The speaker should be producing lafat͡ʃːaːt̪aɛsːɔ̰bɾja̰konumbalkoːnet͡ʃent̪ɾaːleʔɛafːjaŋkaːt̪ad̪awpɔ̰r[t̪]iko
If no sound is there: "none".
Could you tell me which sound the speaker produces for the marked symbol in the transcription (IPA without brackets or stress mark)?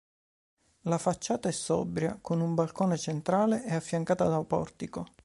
t̪